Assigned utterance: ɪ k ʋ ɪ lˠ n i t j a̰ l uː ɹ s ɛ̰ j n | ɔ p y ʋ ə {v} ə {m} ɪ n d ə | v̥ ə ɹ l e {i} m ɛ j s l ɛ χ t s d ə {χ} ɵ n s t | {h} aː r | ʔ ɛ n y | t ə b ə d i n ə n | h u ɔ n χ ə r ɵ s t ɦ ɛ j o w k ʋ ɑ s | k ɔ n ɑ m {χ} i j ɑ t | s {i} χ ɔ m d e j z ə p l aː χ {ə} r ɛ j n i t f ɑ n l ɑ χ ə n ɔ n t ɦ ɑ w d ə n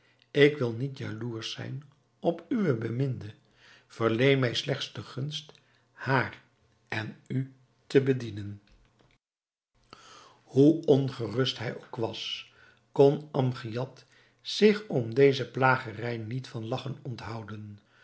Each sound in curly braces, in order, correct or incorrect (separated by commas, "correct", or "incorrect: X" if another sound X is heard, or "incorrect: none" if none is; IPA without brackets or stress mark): incorrect: b, correct, incorrect: j, correct, correct, correct, incorrect: ɪ, correct